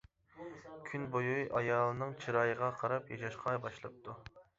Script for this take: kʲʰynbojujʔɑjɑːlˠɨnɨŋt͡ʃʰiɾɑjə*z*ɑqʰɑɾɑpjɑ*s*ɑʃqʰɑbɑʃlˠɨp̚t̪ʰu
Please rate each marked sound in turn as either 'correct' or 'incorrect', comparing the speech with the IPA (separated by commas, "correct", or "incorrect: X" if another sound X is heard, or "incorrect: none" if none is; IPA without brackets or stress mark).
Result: incorrect: ʁ, incorrect: ʃ